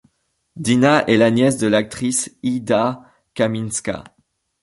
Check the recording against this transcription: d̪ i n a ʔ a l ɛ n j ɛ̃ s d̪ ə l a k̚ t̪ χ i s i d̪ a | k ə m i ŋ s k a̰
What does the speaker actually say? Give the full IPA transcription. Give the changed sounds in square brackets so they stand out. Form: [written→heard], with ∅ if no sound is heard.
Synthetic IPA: d̪ i n a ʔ [a→ɛ] l [ɛ→a] n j [ɛ̃→ɛ] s d̪ ə l a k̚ t̪ χ i s i d̪ a | k [ə→a] m i [ŋ→n] s k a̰